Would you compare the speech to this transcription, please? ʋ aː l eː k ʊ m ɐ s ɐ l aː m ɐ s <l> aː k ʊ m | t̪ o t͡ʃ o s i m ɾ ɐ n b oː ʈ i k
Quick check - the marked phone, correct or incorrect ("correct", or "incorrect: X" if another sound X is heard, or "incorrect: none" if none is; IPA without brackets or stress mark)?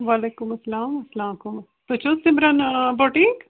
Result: correct